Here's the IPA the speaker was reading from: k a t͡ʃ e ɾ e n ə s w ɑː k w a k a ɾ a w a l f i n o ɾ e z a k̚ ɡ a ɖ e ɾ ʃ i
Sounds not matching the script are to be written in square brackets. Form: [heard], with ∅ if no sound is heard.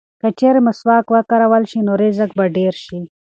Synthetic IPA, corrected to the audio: k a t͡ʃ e ɾ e [m] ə s w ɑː k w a k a ɾ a w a l [ʃ] i n o ɾ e z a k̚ [b] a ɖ e ɾ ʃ i